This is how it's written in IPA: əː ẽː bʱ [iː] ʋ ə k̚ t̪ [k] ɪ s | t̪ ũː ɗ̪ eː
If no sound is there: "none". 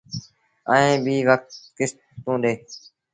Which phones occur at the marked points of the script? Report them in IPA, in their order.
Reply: iː, k

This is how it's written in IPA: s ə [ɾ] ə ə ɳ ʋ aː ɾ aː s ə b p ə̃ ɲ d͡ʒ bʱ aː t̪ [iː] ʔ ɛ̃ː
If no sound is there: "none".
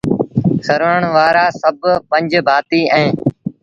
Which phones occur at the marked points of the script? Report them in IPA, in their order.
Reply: ɾ, iː

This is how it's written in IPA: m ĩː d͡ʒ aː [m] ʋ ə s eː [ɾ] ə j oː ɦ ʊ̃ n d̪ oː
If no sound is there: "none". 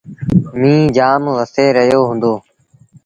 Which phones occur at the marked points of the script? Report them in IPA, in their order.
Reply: m, ɾ

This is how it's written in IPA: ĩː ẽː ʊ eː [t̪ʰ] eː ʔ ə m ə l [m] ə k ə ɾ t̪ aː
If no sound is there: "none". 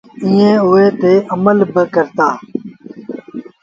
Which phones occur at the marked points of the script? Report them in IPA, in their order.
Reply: t̪, b

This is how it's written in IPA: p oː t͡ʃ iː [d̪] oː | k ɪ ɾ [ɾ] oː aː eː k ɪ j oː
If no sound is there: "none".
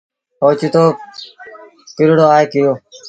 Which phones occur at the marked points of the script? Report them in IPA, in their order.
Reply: t̪, ɽ

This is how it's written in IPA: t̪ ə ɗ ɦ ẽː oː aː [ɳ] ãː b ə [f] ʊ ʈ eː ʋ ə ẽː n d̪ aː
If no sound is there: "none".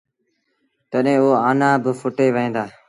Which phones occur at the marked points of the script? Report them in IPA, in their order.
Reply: n, f

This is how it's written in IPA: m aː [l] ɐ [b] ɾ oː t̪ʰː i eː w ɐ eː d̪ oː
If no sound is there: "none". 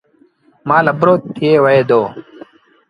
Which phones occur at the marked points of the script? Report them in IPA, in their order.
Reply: l, b

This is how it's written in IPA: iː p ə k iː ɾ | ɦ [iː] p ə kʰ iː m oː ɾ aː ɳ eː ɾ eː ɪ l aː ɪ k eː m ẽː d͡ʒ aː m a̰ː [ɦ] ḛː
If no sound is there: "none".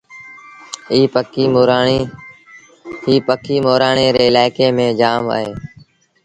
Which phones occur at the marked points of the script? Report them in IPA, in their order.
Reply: iː, ɦ

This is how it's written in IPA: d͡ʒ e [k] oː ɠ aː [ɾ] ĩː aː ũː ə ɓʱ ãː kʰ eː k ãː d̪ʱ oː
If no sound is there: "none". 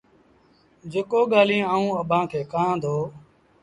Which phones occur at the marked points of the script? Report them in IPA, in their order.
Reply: k, l

